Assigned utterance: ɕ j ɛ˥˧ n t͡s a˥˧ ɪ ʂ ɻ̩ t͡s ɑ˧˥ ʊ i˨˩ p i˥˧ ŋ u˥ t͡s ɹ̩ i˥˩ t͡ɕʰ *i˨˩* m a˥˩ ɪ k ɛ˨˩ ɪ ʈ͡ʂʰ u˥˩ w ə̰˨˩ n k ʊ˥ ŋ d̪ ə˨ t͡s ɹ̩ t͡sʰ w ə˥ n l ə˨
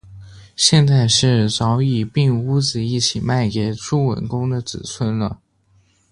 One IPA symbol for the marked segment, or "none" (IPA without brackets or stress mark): i˨˩